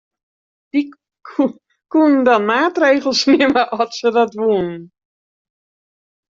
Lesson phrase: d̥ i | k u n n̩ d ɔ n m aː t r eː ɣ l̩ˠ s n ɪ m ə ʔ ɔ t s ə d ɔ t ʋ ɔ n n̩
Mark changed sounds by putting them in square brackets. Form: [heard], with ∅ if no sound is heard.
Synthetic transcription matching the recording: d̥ i | k u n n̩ d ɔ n m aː t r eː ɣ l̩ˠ s n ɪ m ə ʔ ɔ t s ə d ɔ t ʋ [u] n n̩